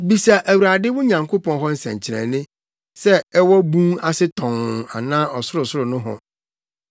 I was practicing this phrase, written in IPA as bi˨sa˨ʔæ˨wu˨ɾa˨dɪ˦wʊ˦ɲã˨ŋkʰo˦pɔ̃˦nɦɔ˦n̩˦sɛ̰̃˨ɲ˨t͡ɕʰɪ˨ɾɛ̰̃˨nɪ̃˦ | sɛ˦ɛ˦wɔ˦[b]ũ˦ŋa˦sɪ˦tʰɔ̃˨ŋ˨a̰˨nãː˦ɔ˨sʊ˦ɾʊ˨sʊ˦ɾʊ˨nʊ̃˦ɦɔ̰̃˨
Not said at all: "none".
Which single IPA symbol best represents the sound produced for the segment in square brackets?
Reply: b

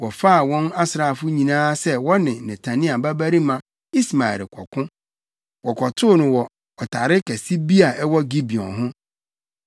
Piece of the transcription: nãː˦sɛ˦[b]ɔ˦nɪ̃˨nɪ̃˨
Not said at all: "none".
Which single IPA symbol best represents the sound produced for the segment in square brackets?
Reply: w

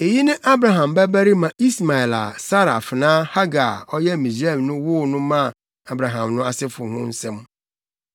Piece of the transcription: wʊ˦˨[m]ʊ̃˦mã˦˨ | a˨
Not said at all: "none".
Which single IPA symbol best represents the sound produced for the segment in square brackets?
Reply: n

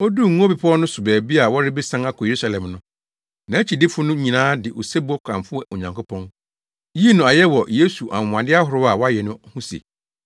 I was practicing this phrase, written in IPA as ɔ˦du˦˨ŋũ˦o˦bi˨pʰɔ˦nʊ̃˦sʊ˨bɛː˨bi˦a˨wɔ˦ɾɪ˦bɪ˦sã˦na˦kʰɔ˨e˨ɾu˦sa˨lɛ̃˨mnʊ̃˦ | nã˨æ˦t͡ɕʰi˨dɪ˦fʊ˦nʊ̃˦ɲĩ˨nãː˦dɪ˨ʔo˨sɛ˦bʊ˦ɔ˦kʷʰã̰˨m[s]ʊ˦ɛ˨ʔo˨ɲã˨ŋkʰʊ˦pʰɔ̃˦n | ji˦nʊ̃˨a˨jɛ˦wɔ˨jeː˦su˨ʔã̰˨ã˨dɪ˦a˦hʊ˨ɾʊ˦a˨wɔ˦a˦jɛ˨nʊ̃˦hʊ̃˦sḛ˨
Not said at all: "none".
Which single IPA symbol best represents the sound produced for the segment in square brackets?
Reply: f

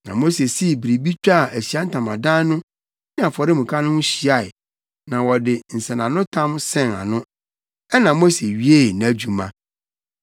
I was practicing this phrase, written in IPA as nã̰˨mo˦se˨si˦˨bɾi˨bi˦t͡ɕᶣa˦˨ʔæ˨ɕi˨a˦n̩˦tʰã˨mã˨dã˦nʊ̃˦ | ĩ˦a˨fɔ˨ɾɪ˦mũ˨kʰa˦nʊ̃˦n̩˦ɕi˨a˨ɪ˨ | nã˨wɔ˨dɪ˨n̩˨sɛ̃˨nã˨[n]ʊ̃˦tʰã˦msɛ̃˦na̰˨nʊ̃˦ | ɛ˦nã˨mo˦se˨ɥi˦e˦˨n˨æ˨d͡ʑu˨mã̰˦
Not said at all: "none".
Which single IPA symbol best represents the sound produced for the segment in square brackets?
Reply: n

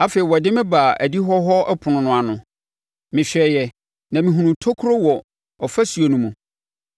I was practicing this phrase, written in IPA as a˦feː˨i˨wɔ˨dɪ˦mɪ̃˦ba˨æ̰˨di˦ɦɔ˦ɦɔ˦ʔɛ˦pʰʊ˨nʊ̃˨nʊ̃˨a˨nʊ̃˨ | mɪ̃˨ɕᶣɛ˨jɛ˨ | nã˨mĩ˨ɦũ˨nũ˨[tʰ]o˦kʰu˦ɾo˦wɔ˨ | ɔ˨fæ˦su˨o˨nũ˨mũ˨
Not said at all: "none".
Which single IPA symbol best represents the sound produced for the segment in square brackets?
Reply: tʰ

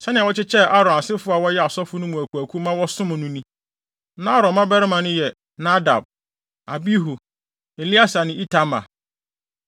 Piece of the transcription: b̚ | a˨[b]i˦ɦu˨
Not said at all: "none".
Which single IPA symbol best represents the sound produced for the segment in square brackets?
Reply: b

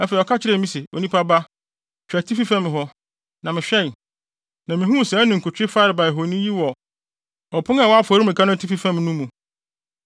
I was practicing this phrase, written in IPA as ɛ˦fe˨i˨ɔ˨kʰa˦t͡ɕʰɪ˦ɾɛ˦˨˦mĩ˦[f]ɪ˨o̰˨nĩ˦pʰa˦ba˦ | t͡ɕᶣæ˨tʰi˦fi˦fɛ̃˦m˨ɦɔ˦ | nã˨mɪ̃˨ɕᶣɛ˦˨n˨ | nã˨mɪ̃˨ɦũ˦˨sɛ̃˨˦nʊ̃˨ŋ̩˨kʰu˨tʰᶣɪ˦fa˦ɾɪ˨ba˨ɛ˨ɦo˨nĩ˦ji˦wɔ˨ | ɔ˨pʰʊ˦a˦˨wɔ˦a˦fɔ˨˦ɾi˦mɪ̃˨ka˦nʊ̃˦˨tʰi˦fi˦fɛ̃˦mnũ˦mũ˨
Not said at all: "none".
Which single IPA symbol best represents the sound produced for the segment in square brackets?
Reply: s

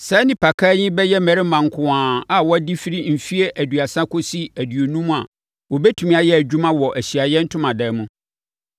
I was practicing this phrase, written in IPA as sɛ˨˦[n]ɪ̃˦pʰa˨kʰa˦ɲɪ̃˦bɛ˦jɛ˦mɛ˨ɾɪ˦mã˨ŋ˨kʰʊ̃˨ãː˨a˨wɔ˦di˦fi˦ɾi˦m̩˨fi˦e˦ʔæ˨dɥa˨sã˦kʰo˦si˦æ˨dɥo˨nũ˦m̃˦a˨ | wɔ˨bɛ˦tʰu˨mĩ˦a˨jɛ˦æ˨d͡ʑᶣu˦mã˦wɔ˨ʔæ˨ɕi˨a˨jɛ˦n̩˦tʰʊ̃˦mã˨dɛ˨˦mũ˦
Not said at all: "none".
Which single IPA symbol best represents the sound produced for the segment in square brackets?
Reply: n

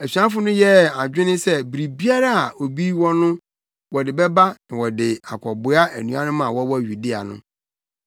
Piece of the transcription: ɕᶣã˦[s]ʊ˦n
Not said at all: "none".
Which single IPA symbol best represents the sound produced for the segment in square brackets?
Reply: f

